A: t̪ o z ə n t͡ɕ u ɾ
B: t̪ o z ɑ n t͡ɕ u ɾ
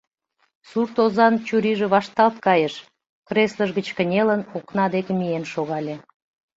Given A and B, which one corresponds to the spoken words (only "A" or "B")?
B